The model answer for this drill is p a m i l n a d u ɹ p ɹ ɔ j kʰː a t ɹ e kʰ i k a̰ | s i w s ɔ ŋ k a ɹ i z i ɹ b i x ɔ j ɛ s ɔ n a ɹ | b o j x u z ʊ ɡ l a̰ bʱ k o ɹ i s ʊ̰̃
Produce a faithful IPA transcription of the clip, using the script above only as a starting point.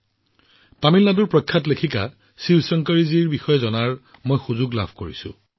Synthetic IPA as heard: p a m i l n a d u ɹ p ɹ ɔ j kʰː a t l e kʰ i k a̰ | s i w s ɔ ŋ k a ɹ i z i ɹ b i x ɔ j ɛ z ɔ n a ɹ | m o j x u z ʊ ɡ l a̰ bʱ k o ɹ i s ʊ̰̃